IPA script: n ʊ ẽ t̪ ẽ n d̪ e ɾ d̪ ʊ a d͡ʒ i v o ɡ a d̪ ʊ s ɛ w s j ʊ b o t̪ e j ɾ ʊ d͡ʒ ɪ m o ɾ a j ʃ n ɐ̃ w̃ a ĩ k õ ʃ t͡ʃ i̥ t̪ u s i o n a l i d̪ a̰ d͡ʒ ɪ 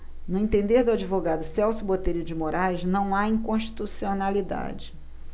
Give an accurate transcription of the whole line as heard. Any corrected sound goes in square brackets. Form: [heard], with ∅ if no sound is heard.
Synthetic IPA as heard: n ʊ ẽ t̪ ẽ n d̪ e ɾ d̪ ʊ a d͡ʒ i v o ɡ a d̪ ʊ s ɛ w s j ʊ b o t̪ e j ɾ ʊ d͡ʒ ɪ m o ɾ a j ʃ n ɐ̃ w̃ a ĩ k õ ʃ t͡ʃ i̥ t̪ u s i o n a l i d̪ a̰ d͡ʒ ɪ

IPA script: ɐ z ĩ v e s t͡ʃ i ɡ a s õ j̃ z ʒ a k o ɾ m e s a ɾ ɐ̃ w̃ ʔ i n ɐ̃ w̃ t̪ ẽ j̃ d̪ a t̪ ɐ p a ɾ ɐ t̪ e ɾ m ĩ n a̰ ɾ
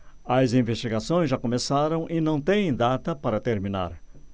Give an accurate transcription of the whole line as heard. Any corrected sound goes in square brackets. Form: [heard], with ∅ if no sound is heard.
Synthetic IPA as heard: ɐ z ĩ v e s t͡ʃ i ɡ a s õ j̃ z ʒ a k o [∅] m e s a ɾ ɐ̃ w̃ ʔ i n ɐ̃ w̃ t̪ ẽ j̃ d̪ a t̪ ɐ p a ɾ ɐ t̪ e ɾ m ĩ n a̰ ɾ

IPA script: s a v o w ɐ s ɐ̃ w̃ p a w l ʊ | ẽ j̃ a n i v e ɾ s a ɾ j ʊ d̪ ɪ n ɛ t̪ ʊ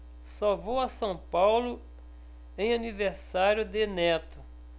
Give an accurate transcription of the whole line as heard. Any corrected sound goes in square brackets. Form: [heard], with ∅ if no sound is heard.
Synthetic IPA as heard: s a v o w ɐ s ɐ̃ w̃ p a w l ʊ | ẽ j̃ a n i v e ɾ s a ɾ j ʊ d̪ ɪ n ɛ t̪ ʊ

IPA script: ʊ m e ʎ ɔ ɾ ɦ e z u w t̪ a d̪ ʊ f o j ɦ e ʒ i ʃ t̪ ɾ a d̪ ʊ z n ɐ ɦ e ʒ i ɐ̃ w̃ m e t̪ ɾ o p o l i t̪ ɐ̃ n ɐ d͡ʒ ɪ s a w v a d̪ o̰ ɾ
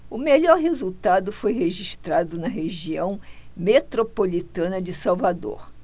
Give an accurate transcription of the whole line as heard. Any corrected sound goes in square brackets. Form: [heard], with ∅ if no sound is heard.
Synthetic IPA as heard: ʊ m e ʎ ɔ ɾ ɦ e z u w t̪ a d̪ ʊ f o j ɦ e ʒ i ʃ t̪ ɾ a d̪ ʊ [∅] n ɐ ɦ e ʒ i ɐ̃ w̃ m e t̪ ɾ o p o l i t̪ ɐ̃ n ɐ d͡ʒ ɪ s a w v a d̪ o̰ ɾ

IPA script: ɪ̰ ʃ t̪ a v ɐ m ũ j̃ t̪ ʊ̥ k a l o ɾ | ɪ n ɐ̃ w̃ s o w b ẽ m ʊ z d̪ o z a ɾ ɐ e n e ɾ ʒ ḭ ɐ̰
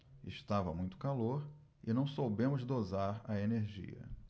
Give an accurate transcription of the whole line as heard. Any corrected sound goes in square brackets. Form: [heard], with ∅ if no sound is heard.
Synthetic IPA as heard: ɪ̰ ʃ t̪ a v ɐ m ũ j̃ t̪ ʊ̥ k a l o ɾ | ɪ n ɐ̃ w̃ s o w b ẽ m ʊ z d̪ o z a ɾ ɐ e n e ɾ ʒ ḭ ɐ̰

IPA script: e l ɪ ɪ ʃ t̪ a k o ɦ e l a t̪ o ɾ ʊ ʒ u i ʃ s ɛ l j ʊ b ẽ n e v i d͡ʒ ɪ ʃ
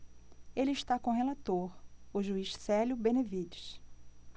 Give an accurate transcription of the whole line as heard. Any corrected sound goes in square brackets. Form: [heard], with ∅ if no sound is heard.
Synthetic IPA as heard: e l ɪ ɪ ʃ t̪ a k [õ] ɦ e l a t̪ o ɾ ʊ ʒ u i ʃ s ɛ l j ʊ b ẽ n e v i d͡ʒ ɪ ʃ

